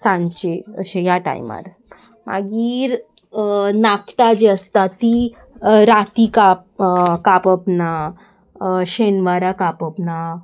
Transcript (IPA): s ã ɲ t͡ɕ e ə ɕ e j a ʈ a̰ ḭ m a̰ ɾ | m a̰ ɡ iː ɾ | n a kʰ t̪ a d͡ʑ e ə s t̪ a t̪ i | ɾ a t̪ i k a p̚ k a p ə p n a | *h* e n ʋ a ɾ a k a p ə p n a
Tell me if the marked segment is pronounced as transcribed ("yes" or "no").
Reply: no